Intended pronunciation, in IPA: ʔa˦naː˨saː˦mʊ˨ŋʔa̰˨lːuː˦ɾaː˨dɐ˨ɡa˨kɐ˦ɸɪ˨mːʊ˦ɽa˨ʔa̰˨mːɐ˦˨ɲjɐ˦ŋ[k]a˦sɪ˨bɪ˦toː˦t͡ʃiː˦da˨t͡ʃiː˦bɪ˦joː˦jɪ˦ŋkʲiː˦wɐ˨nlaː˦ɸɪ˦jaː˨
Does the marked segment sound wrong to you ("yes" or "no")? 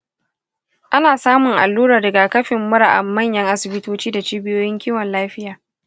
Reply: yes